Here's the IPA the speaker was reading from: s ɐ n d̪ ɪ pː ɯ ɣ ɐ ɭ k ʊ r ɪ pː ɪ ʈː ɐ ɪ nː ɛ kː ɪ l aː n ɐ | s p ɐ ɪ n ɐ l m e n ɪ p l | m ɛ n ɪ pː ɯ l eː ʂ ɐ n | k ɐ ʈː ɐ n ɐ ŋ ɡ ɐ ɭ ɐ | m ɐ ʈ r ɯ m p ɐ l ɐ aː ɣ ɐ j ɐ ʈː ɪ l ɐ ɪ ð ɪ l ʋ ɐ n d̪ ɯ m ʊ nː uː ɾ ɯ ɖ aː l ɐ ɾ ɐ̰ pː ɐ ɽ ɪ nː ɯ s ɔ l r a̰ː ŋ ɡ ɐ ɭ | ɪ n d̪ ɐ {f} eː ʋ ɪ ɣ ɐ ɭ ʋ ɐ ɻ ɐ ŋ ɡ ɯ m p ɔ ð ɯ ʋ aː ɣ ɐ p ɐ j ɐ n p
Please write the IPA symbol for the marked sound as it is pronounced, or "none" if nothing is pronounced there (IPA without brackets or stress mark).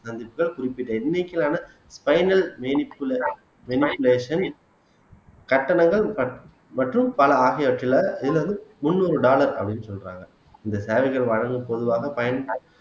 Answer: s